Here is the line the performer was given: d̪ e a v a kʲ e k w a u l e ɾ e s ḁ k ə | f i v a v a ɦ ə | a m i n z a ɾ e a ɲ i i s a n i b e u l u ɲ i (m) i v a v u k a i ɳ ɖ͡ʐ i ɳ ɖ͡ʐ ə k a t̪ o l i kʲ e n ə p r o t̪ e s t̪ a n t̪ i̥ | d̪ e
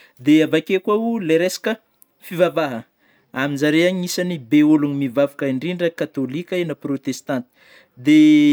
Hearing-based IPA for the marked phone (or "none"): m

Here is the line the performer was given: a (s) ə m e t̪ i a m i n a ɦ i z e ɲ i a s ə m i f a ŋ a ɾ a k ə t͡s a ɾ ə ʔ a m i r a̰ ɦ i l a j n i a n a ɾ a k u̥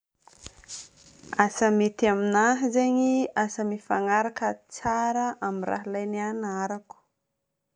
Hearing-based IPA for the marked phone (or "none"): s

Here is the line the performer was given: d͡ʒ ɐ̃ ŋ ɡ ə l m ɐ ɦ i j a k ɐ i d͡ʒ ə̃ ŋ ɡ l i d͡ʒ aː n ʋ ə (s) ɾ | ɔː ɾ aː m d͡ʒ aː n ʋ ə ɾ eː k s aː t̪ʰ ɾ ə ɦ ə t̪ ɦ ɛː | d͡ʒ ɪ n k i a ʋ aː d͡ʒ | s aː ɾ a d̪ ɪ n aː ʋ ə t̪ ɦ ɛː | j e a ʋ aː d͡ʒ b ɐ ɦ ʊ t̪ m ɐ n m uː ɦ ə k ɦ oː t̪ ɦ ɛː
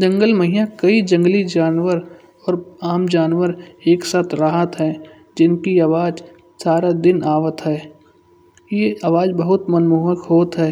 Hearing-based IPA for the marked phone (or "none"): none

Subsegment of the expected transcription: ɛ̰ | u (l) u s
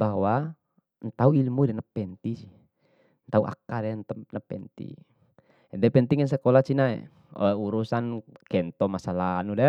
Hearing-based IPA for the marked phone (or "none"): ɾ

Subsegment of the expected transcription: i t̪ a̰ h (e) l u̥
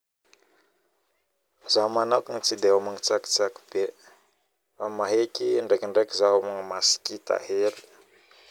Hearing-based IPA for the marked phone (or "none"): e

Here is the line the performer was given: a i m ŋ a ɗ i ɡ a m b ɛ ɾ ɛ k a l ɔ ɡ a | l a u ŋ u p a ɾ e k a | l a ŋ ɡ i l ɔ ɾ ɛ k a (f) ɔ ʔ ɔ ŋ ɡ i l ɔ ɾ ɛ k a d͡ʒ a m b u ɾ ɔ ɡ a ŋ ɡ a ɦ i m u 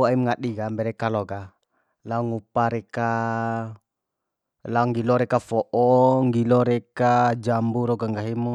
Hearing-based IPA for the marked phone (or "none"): f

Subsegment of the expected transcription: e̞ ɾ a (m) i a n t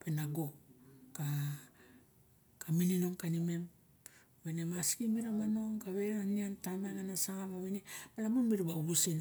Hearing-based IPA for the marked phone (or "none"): n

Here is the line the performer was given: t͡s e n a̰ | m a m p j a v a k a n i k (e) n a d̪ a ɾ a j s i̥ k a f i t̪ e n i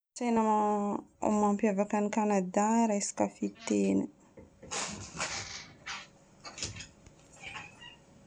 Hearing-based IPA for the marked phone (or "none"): a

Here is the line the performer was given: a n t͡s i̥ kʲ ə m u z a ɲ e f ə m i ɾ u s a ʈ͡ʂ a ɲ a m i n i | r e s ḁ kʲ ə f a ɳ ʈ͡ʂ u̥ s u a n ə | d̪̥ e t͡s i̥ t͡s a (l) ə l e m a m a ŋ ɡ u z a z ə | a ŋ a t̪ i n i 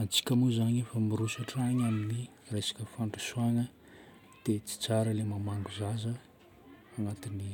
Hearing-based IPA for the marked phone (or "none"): ɾ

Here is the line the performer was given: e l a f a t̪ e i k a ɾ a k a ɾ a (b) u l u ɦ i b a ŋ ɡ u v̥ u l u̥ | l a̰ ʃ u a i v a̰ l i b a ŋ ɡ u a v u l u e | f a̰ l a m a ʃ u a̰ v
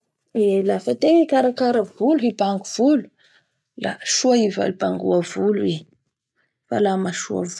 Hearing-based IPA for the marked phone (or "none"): v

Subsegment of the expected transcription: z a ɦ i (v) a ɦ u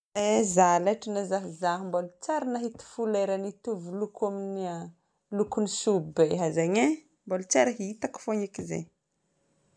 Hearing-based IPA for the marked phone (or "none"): z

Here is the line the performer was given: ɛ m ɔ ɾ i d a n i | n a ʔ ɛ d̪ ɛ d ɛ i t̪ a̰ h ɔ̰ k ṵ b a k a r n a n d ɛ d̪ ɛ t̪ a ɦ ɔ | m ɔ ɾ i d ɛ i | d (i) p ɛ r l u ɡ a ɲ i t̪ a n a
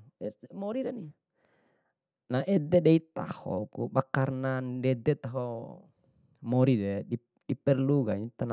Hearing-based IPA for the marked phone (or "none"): i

